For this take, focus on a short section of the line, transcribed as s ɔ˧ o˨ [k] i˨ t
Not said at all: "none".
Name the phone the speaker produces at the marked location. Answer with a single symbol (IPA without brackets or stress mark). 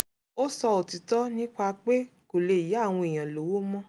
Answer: t